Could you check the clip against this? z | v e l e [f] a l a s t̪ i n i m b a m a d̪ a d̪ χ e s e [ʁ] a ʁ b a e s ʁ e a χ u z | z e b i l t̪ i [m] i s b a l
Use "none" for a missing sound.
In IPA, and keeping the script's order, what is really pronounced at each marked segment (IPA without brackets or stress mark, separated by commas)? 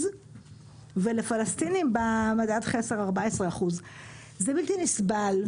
f, ʁ, n